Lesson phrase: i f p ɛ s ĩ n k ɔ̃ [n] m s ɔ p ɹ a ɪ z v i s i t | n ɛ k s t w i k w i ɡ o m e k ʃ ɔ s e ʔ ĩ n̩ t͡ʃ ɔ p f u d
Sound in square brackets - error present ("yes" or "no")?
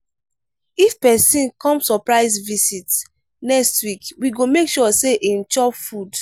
yes